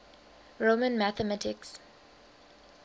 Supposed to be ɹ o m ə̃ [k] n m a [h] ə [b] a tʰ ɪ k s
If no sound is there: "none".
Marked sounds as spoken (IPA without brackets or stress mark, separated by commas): none, θ, m